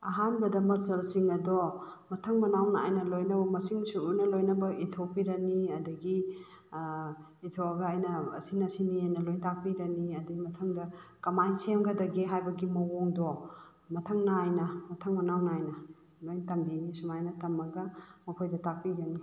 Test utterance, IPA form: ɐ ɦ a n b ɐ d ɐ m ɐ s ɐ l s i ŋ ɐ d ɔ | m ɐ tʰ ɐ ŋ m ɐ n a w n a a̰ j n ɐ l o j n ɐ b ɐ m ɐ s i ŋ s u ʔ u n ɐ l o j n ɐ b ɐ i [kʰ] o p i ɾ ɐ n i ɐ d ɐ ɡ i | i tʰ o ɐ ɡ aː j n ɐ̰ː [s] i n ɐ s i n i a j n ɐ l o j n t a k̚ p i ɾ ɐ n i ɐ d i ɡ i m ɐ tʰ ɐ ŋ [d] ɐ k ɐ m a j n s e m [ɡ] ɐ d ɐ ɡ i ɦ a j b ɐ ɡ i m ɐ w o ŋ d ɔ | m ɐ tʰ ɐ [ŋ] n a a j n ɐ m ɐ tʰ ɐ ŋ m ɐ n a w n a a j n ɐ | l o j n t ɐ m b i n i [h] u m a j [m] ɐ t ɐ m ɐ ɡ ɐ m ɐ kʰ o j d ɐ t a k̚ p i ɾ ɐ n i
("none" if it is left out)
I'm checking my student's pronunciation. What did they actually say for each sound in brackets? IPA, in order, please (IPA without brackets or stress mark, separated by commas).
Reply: tʰ, s, d, ɡ, ŋ, s, n